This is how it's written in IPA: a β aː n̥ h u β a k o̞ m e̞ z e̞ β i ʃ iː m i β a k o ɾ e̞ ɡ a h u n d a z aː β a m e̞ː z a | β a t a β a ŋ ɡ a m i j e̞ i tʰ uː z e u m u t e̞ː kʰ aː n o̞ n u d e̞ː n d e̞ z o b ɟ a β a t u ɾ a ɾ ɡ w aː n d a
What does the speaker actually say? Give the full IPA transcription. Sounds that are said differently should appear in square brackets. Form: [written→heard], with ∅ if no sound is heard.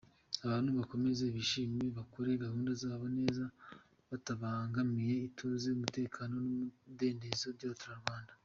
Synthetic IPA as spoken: a β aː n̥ h u β a k o̞ m e̞ z e̞ β i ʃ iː m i β a k o ɾ e̞ ɡ a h [u→uː] n d a z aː β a [m→n] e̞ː z a | β a t a β a ŋ ɡ a m i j e̞ i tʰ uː z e u m u t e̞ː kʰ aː n o̞ n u d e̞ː n d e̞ z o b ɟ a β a t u ɾ a ɾ ɡ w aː n d a